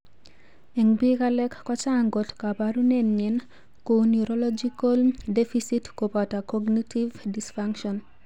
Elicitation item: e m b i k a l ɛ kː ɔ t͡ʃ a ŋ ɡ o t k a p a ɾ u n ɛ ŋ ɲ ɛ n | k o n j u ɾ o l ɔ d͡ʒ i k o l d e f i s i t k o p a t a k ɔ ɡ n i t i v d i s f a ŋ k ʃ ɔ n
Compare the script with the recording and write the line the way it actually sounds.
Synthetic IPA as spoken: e ŋ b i k a l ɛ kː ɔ t͡ʃ a ŋ ɡ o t k a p a ɾ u n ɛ n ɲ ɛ n | k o n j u ɾ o l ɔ d͡ʒ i k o l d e f i s i t k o p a t a k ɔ ɡ n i t i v d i s f a ŋ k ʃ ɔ n